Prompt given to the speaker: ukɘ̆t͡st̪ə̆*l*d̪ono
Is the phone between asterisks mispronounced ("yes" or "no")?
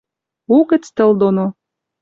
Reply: no